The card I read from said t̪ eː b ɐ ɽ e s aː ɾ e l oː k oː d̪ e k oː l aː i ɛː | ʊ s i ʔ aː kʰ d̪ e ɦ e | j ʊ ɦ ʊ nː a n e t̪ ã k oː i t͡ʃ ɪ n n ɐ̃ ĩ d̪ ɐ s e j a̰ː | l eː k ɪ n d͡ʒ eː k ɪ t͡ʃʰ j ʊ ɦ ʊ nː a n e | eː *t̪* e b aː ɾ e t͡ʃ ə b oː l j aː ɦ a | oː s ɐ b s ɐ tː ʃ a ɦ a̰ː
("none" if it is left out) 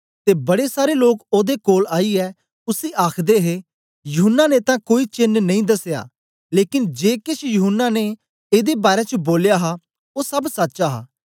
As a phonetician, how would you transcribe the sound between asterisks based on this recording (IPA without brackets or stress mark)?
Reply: d̪